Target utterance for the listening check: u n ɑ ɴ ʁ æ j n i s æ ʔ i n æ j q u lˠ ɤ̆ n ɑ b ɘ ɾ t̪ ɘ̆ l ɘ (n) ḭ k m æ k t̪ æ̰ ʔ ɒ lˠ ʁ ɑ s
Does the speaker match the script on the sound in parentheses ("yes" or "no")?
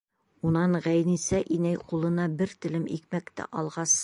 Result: no